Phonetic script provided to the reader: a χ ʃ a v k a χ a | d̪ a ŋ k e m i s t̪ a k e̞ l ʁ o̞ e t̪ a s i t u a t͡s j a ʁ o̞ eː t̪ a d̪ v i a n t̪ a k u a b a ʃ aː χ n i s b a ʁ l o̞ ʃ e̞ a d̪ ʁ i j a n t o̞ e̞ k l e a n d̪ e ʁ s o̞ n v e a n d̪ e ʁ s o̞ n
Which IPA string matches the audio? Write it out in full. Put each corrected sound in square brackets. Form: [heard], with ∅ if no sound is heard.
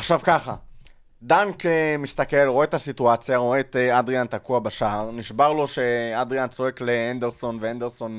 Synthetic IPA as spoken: a χ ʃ a v k a χ a | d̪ a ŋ k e m i s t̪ a k e̞ l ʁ o̞ e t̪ a s i t u a t͡s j a ʁ o̞ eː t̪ a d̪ [ʁ] i a n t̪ a k u a b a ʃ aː [ʁ] n i [ʃ] b a ʁ l o̞ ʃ e̞ a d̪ ʁ i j a n [t͡s] o̞ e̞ k l e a n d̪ e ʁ s o̞ n v e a n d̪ e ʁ s o̞ n